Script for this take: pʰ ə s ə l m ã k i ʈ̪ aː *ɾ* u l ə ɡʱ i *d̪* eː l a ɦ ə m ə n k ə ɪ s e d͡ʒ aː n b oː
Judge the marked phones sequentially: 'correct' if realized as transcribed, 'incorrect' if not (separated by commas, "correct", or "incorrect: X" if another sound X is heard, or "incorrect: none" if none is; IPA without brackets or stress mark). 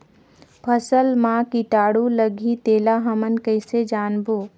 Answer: incorrect: ɽ, incorrect: t̪